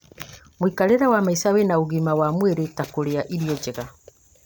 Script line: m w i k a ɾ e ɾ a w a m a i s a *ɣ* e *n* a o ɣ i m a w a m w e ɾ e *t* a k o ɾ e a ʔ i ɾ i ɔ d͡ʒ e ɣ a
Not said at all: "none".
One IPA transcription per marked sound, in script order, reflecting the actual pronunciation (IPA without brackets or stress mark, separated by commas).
w, n, t